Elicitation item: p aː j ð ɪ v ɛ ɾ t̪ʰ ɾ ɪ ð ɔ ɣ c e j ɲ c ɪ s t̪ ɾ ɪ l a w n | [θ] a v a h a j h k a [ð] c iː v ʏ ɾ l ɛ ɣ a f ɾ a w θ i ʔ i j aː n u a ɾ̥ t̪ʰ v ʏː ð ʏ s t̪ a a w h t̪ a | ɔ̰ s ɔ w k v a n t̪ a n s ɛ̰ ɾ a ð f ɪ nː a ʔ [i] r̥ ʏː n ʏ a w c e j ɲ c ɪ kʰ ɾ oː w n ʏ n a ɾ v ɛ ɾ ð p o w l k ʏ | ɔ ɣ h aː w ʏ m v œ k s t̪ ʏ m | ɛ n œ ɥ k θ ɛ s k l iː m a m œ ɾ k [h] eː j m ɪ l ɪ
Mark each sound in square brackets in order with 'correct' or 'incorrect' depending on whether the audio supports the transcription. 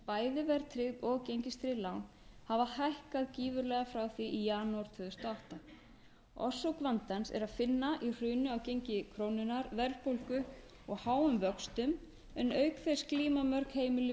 incorrect: h, correct, correct, correct

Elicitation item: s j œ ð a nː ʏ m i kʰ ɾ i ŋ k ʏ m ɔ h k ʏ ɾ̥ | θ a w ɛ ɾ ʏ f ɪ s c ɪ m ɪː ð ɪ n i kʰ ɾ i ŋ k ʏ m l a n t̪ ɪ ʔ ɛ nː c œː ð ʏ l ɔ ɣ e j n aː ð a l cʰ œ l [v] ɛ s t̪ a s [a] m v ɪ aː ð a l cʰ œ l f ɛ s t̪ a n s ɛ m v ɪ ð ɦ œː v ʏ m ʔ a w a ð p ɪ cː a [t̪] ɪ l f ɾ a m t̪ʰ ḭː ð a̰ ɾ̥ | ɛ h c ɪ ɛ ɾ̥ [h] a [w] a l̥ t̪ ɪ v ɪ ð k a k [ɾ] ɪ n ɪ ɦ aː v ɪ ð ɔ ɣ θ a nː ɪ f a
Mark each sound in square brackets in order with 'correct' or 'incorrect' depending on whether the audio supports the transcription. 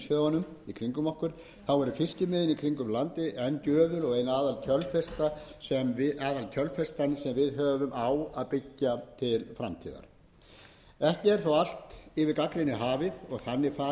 incorrect: f, incorrect: ɛ, incorrect: t̪ʰ, incorrect: θ, correct, incorrect: l

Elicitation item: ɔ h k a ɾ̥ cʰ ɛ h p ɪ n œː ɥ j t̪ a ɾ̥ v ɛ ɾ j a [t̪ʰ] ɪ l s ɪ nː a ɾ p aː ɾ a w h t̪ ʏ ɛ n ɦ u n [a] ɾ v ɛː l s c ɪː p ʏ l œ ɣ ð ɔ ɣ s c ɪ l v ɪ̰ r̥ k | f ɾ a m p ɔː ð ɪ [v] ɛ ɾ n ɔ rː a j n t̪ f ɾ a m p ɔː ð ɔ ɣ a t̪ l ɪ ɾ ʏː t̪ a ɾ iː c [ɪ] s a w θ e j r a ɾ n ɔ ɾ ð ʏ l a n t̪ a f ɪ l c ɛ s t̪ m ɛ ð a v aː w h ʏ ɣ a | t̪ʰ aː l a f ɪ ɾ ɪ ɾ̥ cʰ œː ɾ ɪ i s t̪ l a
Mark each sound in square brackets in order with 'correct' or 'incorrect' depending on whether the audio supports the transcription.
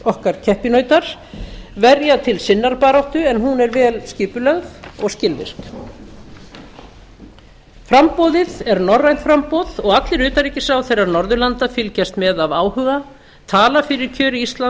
correct, incorrect: ɛ, incorrect: ð, correct

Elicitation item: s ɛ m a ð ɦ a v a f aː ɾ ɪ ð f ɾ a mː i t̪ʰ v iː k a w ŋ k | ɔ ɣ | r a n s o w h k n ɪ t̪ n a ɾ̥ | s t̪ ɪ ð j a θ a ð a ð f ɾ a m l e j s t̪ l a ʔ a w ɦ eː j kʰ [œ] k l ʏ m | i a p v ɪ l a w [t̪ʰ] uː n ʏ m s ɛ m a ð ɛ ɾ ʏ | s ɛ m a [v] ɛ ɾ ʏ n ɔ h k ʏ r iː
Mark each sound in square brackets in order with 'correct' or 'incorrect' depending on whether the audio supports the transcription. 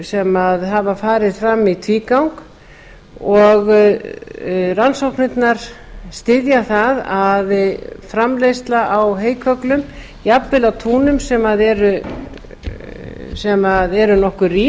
correct, correct, incorrect: ð

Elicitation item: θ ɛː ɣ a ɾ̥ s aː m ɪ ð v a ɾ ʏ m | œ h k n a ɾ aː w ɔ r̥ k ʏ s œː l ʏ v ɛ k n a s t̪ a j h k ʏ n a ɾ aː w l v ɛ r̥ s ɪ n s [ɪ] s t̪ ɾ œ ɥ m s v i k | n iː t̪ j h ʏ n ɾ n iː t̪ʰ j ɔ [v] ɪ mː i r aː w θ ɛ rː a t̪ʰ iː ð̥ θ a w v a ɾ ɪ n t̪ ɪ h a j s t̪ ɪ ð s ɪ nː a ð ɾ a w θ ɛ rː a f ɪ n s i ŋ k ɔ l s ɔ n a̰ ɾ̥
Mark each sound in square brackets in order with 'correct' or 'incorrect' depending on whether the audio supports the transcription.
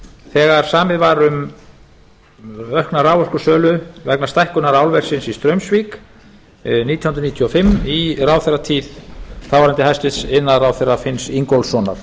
incorrect: i, incorrect: f

